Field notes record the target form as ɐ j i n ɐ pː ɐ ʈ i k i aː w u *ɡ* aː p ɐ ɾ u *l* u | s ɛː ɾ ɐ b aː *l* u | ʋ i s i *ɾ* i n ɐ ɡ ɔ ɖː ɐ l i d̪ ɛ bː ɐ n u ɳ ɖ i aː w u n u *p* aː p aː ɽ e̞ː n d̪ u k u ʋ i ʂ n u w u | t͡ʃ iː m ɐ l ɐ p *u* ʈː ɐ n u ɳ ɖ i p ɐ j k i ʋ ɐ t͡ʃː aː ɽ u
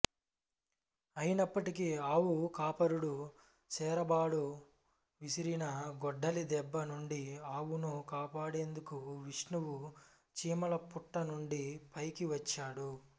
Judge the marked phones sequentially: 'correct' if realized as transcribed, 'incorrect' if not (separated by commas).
incorrect, incorrect, incorrect, correct, incorrect, correct